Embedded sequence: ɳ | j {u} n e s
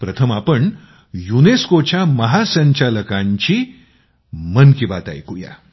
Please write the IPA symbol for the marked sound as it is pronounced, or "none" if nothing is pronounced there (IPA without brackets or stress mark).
u